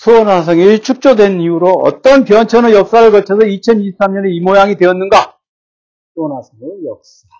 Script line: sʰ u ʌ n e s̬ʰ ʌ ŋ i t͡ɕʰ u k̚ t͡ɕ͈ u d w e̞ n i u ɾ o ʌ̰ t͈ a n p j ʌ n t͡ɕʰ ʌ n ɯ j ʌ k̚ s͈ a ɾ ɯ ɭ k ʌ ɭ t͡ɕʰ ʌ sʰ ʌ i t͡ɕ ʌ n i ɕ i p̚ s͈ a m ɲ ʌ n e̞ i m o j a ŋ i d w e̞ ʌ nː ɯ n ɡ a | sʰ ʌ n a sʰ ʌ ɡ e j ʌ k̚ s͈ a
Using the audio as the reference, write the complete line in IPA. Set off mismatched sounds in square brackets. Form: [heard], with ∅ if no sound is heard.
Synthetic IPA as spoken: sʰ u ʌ n [a] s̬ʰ ʌ ŋ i t͡ɕʰ u k̚ t͡ɕ͈ [o] d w e̞ n i u ɾ o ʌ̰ t͈ [ʌ] n p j ʌ n t͡ɕʰ ʌ n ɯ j ʌ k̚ s͈ a ɾ ɯ ɭ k ʌ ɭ t͡ɕʰ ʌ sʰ ʌ i [t͡ɕʰ] ʌ n i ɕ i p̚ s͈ a m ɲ ʌ n e̞ i m o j a ŋ i d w e̞ ʌ nː ɯ n ɡ a | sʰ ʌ n a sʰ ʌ [ŋ] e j ʌ k̚ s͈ a